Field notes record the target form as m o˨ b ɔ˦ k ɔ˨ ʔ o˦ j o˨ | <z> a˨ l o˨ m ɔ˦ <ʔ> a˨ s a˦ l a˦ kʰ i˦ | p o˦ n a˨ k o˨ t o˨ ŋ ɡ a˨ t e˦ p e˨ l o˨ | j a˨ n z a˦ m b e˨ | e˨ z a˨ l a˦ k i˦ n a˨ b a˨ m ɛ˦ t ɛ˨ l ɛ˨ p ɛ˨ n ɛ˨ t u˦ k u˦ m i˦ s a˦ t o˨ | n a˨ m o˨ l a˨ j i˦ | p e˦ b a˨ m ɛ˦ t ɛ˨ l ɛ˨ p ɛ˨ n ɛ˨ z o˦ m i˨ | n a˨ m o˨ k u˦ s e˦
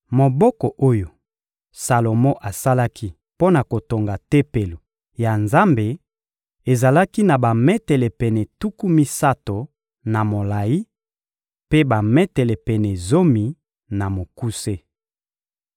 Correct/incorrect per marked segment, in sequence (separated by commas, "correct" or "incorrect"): incorrect, correct